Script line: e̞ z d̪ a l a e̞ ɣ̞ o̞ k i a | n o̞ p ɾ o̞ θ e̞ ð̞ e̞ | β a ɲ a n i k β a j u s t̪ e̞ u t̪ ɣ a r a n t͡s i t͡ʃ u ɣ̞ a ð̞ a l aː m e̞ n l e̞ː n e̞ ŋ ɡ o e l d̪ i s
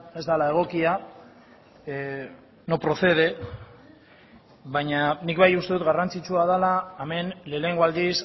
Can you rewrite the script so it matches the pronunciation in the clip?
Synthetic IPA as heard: e̞ z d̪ a l a e̞ ɣ̞ o̞ k i a | n o̞ p ɾ o̞ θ e̞ ð̞ e̞ | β a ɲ a n i k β a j u s t̪ e̞ u t̪ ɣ a r a n t͡s i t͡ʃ u a ð̞ a l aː m e̞ n l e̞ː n e̞ ŋ ɡ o a l d̪ i s